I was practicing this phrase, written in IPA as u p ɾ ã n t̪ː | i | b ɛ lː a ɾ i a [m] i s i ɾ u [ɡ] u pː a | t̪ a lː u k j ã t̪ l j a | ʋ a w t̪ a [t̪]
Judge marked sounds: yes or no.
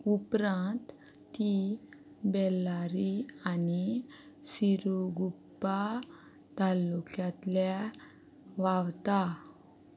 no, yes, no

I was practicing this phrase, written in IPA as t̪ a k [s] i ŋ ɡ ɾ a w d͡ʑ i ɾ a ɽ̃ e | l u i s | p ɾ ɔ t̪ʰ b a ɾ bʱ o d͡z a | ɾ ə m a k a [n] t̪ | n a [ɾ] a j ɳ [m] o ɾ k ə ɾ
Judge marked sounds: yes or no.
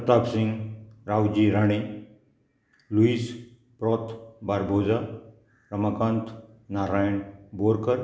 yes, yes, yes, no

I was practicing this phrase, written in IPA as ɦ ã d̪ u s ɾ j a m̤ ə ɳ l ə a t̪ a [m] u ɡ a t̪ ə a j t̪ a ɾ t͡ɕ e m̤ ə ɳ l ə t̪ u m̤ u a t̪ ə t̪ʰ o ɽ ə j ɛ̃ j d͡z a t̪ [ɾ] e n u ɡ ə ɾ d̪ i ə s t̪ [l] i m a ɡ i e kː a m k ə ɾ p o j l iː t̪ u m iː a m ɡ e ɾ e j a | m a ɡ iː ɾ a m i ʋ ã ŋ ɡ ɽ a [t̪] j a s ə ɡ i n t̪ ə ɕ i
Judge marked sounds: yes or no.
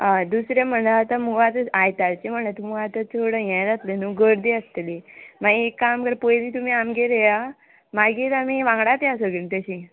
yes, no, yes, yes

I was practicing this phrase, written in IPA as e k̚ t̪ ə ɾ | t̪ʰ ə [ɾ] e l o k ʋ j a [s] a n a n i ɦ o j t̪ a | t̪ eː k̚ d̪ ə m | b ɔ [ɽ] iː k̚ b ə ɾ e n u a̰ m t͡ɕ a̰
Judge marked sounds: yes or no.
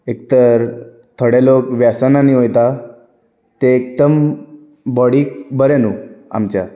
no, yes, yes

